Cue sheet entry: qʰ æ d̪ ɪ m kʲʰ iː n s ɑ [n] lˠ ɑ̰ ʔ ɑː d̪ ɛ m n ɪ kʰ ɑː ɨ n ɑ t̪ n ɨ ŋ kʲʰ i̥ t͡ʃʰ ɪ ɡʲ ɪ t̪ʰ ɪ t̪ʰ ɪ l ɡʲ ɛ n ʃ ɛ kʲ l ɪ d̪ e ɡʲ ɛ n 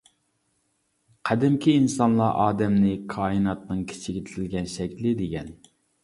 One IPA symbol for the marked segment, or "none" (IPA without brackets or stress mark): n